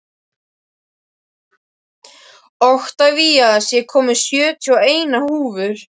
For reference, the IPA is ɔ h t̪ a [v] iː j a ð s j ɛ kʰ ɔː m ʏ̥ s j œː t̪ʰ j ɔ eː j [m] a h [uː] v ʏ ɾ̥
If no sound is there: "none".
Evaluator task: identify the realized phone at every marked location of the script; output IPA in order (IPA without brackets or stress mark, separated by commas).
v, n, uː